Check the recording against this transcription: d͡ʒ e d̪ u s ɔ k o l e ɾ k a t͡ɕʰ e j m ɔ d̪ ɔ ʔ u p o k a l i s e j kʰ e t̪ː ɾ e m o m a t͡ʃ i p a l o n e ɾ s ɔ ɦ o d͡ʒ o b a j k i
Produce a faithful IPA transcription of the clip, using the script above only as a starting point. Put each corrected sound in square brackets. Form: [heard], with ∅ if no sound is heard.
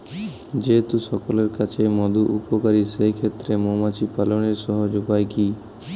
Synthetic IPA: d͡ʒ e [t̪] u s ɔ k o l e ɾ k a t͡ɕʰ e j m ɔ d̪ [u] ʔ u p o k a [ɾ] i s e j kʰ e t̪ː ɾ e m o m a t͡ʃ i p a l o n e ɾ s ɔ ɦ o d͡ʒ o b a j k i